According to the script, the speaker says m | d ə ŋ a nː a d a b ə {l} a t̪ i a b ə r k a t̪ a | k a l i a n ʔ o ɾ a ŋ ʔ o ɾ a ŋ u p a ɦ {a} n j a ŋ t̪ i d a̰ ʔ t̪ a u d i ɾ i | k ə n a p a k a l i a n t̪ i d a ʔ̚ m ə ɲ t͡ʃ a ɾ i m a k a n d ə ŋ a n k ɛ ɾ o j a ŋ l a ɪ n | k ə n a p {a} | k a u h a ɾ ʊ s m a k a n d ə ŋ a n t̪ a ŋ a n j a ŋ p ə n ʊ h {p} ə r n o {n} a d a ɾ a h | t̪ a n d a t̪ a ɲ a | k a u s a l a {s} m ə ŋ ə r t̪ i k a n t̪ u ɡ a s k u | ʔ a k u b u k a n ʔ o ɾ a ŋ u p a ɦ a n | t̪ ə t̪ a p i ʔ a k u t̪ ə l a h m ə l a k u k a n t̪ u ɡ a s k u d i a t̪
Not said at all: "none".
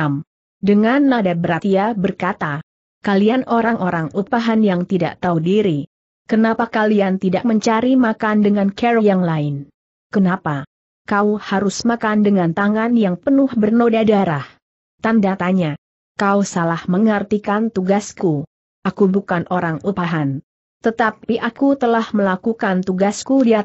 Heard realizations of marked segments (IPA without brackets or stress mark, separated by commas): ɾ, a, a, b, d, h